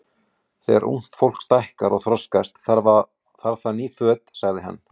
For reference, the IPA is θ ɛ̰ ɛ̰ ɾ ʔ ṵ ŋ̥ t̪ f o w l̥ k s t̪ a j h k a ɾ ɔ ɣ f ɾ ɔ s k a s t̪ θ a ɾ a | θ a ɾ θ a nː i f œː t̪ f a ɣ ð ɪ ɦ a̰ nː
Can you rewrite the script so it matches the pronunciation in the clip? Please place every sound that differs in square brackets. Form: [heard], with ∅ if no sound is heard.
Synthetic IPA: θ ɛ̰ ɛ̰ ɾ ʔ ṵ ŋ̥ t̪ f o w l̥ k s t̪ a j h k a ɾ ɔ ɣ [θ] ɾ ɔ s k a s t̪ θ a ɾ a | θ a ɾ θ a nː i f œː t̪ [s] a ɣ ð ɪ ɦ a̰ nː